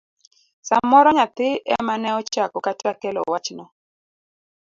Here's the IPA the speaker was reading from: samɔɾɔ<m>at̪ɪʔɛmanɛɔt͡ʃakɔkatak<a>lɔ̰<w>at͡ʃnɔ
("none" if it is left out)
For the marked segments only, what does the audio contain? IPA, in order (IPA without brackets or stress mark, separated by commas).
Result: ɲ, ɛ, w